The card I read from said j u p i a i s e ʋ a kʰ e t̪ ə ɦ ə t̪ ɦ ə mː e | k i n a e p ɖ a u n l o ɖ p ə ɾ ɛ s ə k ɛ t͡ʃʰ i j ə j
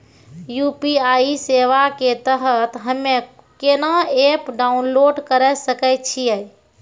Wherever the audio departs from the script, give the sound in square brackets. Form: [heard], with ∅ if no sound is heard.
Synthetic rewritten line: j u p i a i s e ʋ a [k] e t̪ ə ɦ ə t̪ ɦ ə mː e | k [e] n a e p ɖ a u n l o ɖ [k] ə ɾ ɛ s ə k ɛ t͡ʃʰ i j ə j